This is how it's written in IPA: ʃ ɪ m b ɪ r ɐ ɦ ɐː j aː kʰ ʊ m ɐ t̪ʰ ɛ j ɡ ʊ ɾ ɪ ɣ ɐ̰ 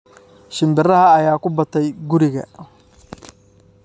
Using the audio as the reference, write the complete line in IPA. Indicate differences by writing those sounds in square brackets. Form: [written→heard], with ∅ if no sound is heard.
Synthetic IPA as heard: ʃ ɪ m b ɪ r ɐ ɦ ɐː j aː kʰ ʊ [m→b] ɐ t̪ʰ ɛ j ɡ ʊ ɾ ɪ ɣ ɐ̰

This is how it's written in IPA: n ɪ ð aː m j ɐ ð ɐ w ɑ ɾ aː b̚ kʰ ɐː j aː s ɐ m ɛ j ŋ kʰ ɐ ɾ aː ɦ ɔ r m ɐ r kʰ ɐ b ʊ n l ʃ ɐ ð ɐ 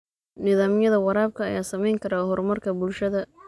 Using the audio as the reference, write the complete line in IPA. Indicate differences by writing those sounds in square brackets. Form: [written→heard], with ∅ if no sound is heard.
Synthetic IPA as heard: n ɪ ð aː m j ɐ ð ɐ w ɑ ɾ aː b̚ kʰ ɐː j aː s ɐ m ɛ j ŋ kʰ ɐ ɾ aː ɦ ɔ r m ɐ r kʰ ɐ b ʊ [n→∅] l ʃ ɐ ð ɐ

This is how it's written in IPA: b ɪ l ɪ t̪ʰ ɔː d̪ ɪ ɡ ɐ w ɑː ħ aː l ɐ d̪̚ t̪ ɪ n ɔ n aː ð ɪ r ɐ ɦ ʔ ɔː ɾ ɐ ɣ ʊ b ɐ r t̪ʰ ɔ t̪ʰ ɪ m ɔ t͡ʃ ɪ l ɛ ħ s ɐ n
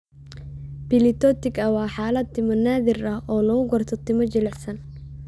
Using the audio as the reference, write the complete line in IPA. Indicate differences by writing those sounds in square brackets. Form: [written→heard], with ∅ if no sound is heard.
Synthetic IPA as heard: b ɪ l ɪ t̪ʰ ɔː [d̪→t̪] ɪ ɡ ɐ w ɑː ħ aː l ɐ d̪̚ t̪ ɪ [n→m] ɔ n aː ð ɪ r ɐ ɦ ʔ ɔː [ɾ→l] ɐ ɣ ʊ [b→ɡ] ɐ r t̪ʰ ɔ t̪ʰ ɪ m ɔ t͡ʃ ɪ l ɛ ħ s ɐ n

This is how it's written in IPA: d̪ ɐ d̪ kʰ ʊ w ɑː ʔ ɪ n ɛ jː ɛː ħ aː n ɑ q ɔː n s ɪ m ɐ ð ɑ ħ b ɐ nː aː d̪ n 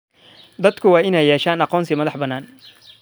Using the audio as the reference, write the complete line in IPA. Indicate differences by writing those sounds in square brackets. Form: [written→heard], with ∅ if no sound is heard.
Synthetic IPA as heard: d̪ ɐ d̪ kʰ ʊ w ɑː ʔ ɪ n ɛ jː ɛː [ħ→ʃ] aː n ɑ q ɔː n s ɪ m ɐ ð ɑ ħ b ɐ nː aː [d̪→∅] n

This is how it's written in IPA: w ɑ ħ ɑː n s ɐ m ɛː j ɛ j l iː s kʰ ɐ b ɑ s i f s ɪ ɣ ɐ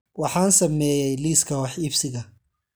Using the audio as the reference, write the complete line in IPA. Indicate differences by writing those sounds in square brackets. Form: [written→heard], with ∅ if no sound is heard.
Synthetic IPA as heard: w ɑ ħ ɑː n s ɐ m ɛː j ɛ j l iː s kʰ ɐ [b→w] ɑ [s→ħ] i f s ɪ ɣ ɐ

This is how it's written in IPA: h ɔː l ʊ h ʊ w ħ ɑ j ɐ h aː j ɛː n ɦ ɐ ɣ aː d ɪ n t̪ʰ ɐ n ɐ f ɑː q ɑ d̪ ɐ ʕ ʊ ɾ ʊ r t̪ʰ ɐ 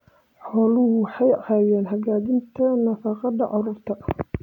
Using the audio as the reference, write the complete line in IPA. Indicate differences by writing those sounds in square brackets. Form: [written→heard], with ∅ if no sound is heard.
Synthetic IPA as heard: [h→ħ] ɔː l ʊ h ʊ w ħ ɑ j ɐ h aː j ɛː n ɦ ɐ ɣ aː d ɪ n t̪ʰ ɐ n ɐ f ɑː q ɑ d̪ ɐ ʕ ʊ ɾ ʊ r t̪ʰ ɐ

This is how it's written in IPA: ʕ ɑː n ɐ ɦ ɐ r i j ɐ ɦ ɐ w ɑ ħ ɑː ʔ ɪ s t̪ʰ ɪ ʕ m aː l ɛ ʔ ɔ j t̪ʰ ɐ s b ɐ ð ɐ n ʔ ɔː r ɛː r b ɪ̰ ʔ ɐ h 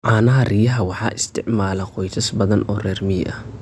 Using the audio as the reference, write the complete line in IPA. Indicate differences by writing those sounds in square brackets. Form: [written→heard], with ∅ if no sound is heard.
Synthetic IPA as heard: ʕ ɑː n ɐ ɦ ɐ r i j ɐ ɦ ɐ w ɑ ħ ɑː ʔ ɪ s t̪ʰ ɪ ʕ m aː l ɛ [ʔ→q] ɔ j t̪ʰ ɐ s b ɐ ð ɐ n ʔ ɔː r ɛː r [b→m] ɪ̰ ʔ ɐ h

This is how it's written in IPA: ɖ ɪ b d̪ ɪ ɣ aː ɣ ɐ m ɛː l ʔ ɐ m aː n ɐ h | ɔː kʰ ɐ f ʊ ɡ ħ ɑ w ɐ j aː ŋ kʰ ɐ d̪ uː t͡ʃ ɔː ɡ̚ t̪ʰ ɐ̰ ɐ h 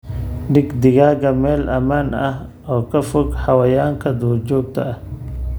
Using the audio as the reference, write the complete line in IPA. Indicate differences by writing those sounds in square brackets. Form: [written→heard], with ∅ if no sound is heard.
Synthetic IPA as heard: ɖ ɪ [b→ɡ] d̪ ɪ ɣ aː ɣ ɐ m ɛː l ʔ ɐ m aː n ɐ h | ɔː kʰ ɐ f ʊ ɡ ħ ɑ w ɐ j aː ŋ kʰ ɐ d̪ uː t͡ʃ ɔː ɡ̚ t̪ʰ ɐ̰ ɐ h

